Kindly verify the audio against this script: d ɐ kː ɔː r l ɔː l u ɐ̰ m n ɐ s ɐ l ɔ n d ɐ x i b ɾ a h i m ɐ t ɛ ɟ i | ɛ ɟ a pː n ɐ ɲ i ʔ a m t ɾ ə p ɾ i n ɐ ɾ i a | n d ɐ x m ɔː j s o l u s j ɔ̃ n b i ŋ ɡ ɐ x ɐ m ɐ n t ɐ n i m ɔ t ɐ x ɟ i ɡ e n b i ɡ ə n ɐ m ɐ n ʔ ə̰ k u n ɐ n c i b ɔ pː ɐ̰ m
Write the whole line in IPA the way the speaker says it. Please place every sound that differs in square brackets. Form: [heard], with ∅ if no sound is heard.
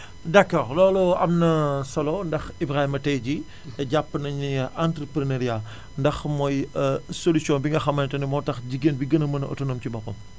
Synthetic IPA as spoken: d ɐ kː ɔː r l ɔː l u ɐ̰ m n ɐ s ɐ l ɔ n d ɐ x i b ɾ a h i m ɐ t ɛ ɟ i | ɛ ɟ a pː n ɐ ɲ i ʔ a [n] t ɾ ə p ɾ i n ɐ ɾ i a | n d ɐ x m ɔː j s o l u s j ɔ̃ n b i ŋ ɡ ɐ x ɐ m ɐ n t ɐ n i m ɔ t ɐ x ɟ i ɡ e n b i ɡ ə n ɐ m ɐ n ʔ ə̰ [t] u n ɐ [m] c i b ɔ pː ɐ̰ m